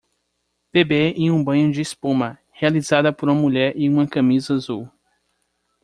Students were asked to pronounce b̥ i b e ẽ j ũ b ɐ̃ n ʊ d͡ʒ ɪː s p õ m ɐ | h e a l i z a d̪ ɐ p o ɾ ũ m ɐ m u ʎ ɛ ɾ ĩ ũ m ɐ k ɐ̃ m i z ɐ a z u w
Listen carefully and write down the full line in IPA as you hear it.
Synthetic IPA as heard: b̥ e b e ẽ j ũ b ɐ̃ ɲ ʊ d͡ʒ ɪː s p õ m ɐ | h e a l i z a d̪ ɐ p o ɾ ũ m ɐ m u ʎ ɛ ɾ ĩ ũ m ɐ k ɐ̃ m i z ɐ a z u w